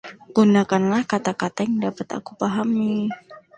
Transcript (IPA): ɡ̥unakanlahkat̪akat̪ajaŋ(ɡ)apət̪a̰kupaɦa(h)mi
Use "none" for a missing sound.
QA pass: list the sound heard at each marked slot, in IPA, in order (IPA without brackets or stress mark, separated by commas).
d, none